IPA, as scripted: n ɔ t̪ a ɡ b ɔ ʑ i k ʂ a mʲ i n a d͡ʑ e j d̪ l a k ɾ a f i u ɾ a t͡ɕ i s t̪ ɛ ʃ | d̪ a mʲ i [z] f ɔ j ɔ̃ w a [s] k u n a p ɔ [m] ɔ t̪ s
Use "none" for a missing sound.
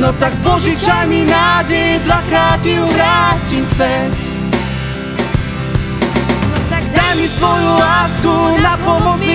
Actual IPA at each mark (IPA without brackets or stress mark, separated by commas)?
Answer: s, s, m